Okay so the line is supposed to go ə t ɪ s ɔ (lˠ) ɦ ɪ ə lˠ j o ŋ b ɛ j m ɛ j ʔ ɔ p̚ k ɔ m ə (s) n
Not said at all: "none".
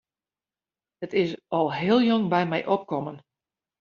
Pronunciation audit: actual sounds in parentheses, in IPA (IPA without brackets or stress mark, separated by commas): lˠ, none